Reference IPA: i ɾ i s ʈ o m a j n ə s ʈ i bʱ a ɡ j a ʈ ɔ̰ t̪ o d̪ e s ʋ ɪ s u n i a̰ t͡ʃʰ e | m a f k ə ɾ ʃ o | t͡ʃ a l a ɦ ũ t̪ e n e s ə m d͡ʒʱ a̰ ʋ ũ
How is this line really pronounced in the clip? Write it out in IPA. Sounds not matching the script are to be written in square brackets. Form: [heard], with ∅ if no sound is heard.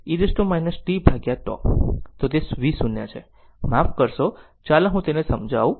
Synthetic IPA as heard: i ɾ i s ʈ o m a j n ə s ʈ i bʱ a ɡ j a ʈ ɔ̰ t̪ o [t̪] e s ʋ [i] s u n [j] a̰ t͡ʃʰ e | m a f k ə ɾ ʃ o | t͡ʃ a l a ɦ ũ t̪ e n e s ə m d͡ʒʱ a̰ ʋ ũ